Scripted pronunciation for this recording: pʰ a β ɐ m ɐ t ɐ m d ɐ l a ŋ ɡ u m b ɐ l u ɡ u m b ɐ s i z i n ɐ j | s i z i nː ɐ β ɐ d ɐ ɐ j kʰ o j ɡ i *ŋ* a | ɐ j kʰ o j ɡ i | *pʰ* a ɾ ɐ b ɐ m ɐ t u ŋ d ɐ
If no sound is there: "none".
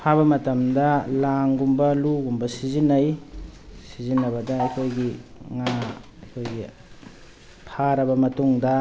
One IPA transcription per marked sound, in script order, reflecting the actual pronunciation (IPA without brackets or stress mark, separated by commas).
ŋ, pʰ